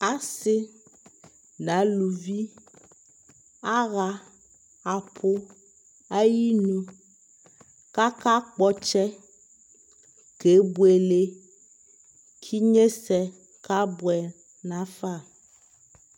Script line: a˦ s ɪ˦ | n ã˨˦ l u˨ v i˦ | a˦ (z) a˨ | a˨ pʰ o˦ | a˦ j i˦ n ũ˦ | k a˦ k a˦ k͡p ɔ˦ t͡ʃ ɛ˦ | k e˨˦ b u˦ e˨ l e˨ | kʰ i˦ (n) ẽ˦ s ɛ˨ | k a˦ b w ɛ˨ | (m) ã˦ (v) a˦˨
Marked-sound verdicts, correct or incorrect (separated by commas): incorrect, incorrect, incorrect, incorrect